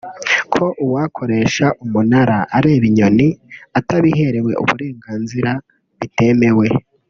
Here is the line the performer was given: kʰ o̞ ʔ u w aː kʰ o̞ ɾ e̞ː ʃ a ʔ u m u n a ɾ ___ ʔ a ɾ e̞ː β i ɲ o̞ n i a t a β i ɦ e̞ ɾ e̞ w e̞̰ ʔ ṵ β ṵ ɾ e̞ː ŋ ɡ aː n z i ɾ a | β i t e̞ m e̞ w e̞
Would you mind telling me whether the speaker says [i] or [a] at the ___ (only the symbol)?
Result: a